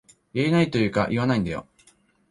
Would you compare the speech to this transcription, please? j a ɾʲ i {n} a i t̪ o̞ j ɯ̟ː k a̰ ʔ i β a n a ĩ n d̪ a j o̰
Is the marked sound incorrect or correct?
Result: correct